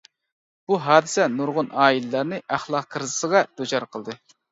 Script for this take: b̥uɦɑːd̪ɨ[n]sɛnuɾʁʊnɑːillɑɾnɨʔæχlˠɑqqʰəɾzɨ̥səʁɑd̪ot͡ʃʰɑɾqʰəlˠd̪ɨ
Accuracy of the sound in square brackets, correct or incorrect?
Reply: incorrect